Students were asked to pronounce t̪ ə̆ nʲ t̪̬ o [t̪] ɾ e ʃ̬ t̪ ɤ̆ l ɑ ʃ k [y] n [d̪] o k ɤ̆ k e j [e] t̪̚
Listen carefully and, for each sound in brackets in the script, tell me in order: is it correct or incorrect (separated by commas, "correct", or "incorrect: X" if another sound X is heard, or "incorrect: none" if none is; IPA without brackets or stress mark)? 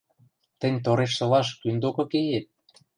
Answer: incorrect: none, correct, correct, correct